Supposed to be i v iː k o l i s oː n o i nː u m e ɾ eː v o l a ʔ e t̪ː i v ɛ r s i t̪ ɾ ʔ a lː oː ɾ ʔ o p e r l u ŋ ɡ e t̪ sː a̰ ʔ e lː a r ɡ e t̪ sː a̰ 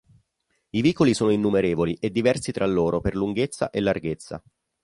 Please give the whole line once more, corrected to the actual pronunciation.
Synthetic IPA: i v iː k o l i s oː n o i nː u m e ɾ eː v o l i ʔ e d̪ː i v ɛ r s i t̪ ɾ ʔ a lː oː ɾ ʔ o p e r l u ŋ ɡ e t̪ sː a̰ ʔ e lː a r ɡ e t̪ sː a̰